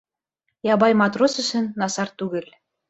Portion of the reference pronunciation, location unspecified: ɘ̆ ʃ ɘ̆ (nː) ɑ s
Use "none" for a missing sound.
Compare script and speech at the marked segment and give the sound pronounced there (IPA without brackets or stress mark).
nː